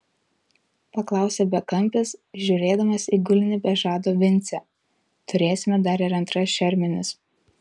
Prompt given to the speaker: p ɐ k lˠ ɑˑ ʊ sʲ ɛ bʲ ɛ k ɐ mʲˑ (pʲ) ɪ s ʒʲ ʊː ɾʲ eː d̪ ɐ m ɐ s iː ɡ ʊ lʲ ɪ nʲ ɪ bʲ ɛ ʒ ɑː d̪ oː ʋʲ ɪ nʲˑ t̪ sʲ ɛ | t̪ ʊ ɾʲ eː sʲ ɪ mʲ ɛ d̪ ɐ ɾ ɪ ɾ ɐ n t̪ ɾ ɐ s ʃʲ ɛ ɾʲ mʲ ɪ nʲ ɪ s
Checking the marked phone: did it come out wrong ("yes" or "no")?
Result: no